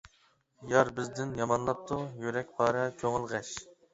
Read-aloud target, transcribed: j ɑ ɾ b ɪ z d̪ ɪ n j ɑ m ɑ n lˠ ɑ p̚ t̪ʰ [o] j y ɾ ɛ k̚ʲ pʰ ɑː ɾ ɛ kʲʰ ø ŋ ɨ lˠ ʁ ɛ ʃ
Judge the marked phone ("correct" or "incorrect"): incorrect